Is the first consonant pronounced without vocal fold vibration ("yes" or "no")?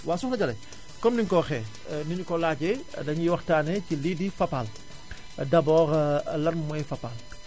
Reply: no